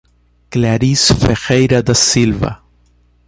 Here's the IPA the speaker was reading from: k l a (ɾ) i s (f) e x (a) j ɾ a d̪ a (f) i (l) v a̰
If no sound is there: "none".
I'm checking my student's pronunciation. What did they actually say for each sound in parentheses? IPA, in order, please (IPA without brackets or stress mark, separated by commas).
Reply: ɾ, f, e, s, l